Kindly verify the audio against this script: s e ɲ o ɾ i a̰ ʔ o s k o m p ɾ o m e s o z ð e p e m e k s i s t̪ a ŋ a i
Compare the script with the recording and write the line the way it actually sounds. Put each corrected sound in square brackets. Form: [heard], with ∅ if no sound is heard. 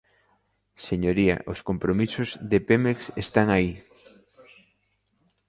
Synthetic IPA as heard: s e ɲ o ɾ i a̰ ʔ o s k o m p ɾ o m [i] s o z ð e p e m e k s [e] s t̪ a ŋ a i